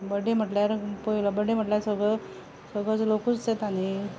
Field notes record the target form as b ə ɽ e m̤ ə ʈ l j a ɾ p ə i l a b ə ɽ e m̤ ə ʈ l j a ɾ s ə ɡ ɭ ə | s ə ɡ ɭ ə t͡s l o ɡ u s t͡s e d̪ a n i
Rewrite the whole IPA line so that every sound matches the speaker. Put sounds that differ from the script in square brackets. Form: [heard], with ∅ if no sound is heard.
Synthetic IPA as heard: b ə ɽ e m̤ ə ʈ l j a ɾ p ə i l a b ə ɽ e m̤ ə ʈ l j a ɾ s ə ɡ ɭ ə | s ə ɡ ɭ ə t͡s l o [k] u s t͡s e [t̪] a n i

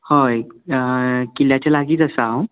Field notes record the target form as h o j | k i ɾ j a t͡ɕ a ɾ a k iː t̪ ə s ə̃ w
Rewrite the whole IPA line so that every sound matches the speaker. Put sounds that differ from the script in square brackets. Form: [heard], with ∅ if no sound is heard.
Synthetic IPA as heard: h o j | k i [l] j a t͡ɕ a [l] a [ɡ] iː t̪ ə s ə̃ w

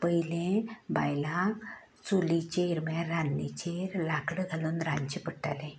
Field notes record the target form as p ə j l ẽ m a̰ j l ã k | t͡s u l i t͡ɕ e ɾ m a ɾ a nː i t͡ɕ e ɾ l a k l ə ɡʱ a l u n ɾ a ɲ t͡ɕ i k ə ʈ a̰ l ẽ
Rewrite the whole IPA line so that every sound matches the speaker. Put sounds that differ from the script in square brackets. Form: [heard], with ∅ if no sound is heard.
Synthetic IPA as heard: p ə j l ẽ [b] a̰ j l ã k | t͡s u l i t͡ɕ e ɾ m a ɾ a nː i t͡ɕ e ɾ l a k [ɽ] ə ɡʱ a l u n ɾ a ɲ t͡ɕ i [p] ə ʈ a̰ l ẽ

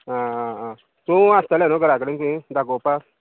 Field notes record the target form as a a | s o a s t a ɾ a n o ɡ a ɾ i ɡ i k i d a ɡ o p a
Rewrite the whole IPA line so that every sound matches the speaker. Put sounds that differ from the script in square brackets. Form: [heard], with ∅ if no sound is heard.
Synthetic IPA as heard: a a | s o a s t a [l] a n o ɡ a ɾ [a] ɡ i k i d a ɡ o p a

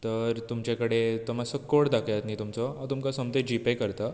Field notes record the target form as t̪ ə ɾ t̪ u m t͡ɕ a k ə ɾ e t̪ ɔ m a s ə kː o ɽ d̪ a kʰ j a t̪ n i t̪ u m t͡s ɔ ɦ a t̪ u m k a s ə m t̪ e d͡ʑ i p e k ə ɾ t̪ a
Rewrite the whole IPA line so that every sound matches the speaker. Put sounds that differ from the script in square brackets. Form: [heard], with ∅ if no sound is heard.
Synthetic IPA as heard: t̪ ə ɾ t̪ u m t͡ɕ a k ə [ɽ] e t̪ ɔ m a s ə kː o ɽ d̪ a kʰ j a t̪ n i t̪ u m t͡s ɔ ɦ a t̪ u m k a s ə m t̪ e d͡ʑ i p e k ə ɾ t̪ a

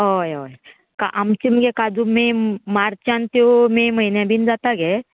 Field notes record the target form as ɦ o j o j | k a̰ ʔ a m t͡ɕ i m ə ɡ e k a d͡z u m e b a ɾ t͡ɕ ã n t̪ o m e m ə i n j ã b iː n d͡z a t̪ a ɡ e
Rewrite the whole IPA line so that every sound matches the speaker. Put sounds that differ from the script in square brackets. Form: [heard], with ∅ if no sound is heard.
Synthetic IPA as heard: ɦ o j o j | k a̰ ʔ a m t͡ɕ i m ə ɡ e k a d͡z u m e [m] a ɾ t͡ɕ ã n t̪ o m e m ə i n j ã b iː n d͡z a t̪ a ɡ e

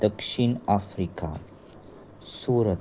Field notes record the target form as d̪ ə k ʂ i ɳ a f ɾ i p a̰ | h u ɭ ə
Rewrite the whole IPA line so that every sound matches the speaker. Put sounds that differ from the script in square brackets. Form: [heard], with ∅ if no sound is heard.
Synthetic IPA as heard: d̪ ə k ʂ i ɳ a f ɾ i [k] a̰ | [s] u [ɾ] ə

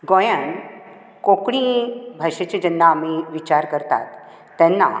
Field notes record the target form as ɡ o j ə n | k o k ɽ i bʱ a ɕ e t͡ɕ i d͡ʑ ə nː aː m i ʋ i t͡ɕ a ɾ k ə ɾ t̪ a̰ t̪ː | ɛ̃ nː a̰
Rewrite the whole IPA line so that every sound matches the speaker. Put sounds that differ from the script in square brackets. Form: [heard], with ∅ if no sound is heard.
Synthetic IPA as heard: ɡ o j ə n | k o k ɽ i bʱ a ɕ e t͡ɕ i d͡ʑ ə nː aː m i ʋ i t͡ɕ a ɾ k ə ɾ t̪ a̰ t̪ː | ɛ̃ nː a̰

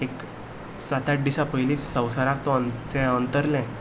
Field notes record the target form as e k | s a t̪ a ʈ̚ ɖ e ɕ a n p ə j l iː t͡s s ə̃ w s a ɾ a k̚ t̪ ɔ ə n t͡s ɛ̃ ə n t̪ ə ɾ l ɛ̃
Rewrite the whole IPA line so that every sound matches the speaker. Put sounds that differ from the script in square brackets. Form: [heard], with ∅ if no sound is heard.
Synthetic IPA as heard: e k | s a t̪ a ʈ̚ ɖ [i] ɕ a [∅] p ə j l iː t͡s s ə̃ w s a ɾ a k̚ t̪ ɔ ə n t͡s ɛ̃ ə n t̪ ə ɾ l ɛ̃

